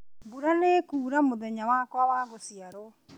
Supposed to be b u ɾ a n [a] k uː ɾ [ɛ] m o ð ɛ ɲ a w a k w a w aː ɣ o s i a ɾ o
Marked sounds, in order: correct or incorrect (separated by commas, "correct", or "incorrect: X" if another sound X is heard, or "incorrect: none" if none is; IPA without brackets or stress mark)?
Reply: incorrect: e, incorrect: a